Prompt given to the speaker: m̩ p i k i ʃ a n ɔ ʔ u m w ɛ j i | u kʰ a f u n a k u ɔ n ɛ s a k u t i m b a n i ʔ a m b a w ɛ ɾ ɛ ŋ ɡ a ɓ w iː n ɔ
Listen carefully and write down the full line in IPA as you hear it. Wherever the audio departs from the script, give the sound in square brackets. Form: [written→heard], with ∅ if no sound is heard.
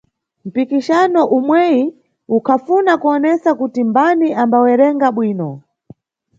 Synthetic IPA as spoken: m̩ p i k i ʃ a n ɔ ʔ u m w ɛ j i | u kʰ a f u n a k u ɔ n ɛ s a k u t i m b a n i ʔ a m b a w ɛ ɾ ɛ ŋ ɡ a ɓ w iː n ɔ